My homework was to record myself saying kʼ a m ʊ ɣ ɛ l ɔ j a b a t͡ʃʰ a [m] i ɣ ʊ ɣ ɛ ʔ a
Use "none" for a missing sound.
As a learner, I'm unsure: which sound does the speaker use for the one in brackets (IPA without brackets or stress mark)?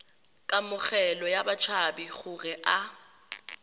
b